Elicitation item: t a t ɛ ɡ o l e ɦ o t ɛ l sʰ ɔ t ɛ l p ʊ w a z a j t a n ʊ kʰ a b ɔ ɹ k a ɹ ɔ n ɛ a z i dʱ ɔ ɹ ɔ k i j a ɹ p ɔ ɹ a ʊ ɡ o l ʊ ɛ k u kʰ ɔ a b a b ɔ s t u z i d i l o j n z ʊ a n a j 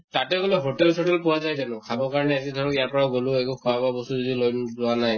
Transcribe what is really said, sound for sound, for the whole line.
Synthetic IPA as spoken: t a t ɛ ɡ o l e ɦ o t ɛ l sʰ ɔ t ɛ l p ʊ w a z a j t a n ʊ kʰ a b ɔ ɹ k a ɹ ɔ n ɛ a z i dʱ ɔ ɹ ɔ k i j a ɹ p ɔ ɹ a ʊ ɡ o l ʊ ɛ k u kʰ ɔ a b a b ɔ s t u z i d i l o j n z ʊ a n a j